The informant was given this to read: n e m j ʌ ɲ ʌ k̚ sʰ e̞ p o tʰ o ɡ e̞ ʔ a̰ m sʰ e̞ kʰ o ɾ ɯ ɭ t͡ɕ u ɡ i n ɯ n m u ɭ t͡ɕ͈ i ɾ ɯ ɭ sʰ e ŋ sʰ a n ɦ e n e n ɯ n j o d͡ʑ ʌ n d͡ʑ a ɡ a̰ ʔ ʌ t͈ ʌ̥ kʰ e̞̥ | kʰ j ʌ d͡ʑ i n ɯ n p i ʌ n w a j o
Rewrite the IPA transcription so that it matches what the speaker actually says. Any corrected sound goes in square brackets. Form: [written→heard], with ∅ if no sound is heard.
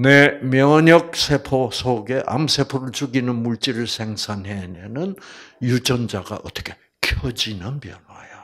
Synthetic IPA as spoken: n e m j ʌ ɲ ʌ k̚ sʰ e̞ [p→pʰ] o [tʰ→sʰ] o ɡ e̞ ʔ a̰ m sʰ e̞ [kʰ→pʰ] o ɾ ɯ ɭ t͡ɕ u ɡ i n ɯ n m u ɭ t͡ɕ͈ i ɾ ɯ ɭ sʰ e ŋ sʰ a n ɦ e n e n ɯ n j [o→u] d͡ʑ ʌ n d͡ʑ a ɡ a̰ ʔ ʌ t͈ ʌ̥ kʰ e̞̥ | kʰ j ʌ d͡ʑ i n ɯ n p [i→j] ʌ n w a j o